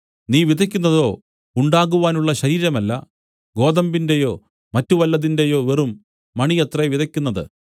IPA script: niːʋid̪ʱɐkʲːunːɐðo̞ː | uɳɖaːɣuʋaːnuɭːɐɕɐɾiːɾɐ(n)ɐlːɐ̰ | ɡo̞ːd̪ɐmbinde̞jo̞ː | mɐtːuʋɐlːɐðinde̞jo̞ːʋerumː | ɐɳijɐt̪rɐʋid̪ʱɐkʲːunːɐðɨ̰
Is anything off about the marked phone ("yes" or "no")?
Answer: yes